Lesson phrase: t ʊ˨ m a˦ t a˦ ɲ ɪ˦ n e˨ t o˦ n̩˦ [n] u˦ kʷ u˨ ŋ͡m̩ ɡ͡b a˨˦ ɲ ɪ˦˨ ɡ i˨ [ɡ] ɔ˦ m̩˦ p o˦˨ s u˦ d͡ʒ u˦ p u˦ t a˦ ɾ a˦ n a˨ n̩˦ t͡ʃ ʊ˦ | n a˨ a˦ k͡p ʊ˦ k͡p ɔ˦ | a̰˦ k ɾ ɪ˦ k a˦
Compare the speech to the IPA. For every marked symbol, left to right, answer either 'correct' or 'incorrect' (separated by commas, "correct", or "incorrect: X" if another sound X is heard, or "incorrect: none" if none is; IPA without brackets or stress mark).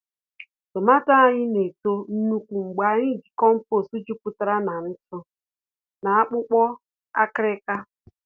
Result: correct, incorrect: k